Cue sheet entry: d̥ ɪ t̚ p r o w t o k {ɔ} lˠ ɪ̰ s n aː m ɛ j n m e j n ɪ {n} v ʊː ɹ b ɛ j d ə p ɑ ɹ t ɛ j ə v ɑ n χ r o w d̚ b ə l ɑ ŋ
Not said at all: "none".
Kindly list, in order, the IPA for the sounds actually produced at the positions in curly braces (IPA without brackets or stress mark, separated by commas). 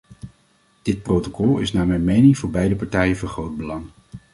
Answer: ɔ, ŋ